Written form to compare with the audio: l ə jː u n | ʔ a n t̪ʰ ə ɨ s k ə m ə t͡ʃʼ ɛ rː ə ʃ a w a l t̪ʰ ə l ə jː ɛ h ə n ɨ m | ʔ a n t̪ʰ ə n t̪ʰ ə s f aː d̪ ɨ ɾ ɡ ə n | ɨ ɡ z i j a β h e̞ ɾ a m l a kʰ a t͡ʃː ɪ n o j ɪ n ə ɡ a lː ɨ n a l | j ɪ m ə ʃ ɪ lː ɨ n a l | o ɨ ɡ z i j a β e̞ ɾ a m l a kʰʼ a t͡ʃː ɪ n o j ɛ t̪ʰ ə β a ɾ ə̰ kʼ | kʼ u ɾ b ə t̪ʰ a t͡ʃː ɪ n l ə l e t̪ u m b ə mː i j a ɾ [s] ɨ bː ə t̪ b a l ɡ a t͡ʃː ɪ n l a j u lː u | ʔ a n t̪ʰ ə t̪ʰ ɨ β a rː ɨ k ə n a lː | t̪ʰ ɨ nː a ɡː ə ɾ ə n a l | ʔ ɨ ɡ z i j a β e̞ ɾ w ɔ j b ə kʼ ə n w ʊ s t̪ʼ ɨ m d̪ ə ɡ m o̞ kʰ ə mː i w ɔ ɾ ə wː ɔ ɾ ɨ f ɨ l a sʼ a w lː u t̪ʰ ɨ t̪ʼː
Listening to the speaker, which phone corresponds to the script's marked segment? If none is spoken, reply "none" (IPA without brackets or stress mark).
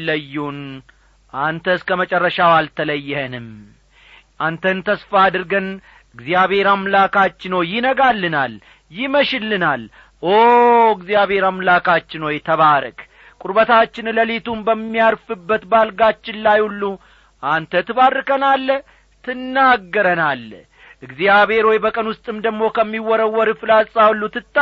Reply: f